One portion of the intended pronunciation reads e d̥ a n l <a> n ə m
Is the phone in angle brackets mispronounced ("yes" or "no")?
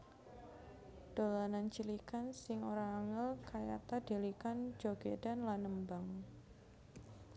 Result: no